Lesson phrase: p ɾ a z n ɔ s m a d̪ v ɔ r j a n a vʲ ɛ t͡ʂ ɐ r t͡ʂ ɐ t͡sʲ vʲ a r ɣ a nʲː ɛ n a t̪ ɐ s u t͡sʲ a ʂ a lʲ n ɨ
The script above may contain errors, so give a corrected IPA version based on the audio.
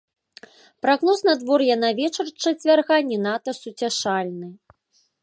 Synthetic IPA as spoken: p ɾ a ɣ n ɔ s n a d̪ v ɔ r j a n a vʲ ɛ t͡ʂ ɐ r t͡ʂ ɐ t͡sʲ vʲ a r ɣ a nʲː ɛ n a t̪ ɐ s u t͡sʲ a ʂ a lʲ n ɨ